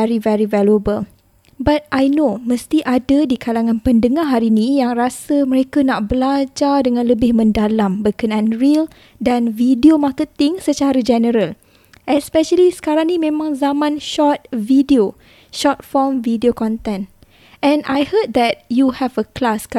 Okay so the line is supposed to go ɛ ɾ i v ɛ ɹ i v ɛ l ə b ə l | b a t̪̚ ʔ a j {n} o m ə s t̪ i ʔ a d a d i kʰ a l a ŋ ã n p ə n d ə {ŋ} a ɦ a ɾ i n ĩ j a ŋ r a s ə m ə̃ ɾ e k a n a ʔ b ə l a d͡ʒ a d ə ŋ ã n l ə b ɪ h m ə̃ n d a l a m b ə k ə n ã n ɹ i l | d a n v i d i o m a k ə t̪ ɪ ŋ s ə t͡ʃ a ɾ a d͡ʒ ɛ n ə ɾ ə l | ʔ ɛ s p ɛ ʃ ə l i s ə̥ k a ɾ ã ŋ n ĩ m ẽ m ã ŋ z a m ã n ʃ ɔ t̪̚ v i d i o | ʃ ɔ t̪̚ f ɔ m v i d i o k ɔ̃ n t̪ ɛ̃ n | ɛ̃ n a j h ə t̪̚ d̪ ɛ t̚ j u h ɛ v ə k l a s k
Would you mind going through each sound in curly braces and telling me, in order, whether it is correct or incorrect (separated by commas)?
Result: correct, correct